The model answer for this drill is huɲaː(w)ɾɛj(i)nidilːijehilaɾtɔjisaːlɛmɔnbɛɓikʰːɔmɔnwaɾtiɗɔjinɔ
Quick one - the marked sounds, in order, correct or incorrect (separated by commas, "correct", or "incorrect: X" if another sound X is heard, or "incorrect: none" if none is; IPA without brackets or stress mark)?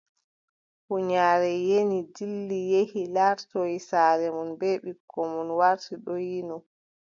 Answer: incorrect: none, incorrect: e